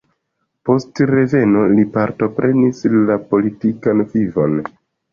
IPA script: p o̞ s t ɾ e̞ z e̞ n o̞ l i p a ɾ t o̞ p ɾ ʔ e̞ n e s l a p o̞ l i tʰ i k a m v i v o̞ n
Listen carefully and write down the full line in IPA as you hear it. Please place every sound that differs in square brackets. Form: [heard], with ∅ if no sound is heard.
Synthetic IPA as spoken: p o̞ s t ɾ e̞ [v] e̞ n o̞ l i p a ɾ t o̞ p ɾ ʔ e̞ n [i] s l a p o̞ l i [t] i k a [n] v i v o̞ n